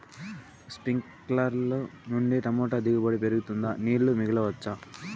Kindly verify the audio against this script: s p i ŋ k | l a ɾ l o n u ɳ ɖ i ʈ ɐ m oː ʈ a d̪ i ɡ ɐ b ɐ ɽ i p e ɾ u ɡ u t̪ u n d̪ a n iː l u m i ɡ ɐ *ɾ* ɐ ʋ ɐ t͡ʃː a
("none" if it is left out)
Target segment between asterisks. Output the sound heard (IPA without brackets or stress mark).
l